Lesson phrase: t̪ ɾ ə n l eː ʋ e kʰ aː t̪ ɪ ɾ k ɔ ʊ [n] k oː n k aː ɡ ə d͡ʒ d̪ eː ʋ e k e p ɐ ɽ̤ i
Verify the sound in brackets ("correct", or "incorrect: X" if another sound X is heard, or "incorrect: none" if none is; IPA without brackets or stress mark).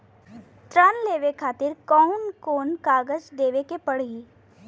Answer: correct